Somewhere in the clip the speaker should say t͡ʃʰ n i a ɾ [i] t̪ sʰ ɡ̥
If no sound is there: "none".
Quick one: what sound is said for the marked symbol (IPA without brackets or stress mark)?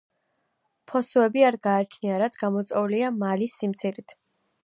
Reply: a